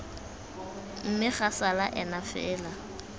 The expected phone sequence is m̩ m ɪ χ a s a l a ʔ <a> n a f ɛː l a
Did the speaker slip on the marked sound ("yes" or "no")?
yes